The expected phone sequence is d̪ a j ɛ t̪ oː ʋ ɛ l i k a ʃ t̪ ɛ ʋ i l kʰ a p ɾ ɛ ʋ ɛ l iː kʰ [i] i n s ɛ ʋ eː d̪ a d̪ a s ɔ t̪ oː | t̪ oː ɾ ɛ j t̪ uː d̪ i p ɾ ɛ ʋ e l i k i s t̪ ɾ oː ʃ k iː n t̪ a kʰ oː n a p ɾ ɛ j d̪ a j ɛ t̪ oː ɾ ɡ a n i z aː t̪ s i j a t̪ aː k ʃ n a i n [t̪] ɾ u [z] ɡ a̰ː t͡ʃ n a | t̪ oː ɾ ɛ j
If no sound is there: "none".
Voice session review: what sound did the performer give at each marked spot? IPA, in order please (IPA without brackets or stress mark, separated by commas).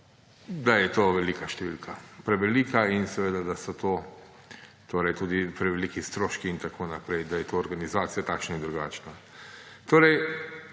a, d̪, none